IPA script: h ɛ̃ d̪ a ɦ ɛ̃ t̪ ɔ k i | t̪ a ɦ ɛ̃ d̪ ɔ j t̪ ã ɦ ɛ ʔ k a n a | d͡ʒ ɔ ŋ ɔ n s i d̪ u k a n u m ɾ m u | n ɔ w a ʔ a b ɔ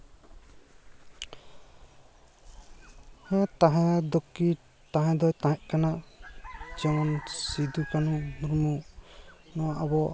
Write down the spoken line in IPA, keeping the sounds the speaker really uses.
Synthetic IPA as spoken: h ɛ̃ t̪ a ɦ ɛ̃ d̪ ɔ k i | t̪ a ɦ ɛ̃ d̪ ɔ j t̪ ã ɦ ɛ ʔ k a n a | d͡ʒ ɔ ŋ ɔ n s i d̪ u k a n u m ɾ m u | n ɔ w a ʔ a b ɔ